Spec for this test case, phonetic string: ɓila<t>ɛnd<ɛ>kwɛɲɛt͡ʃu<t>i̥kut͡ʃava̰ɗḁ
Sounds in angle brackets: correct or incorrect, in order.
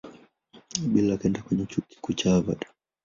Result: incorrect, incorrect, incorrect

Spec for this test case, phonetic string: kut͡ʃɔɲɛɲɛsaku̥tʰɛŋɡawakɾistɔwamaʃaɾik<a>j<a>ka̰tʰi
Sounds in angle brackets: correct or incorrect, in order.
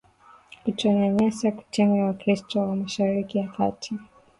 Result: incorrect, correct

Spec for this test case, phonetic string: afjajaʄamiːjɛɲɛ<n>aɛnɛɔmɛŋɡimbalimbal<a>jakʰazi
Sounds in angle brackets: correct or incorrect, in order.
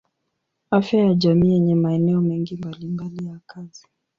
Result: incorrect, incorrect

